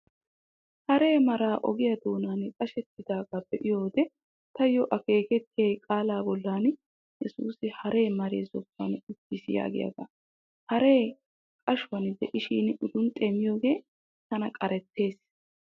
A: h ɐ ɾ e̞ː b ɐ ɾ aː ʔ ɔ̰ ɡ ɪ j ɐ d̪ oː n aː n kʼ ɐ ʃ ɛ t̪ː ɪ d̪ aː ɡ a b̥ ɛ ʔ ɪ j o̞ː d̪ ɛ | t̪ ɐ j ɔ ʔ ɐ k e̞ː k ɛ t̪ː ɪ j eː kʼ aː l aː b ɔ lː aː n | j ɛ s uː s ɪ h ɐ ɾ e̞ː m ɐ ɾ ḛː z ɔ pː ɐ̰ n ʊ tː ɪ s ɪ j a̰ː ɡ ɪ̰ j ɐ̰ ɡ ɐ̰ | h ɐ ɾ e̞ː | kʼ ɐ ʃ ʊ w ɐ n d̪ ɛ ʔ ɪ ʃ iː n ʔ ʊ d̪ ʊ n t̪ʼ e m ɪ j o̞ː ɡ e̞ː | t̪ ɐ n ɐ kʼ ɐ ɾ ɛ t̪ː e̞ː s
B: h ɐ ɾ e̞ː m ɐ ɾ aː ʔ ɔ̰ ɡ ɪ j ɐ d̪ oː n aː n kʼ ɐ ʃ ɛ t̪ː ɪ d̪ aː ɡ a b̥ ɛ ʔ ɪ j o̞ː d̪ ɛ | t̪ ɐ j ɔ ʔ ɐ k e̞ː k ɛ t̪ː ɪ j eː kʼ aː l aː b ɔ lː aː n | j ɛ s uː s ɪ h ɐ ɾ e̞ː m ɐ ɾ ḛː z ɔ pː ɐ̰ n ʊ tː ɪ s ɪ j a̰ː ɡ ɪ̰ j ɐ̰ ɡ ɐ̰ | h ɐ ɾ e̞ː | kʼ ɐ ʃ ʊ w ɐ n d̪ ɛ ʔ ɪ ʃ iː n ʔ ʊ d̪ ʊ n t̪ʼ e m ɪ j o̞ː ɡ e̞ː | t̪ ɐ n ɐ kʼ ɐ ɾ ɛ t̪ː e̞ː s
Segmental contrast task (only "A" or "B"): B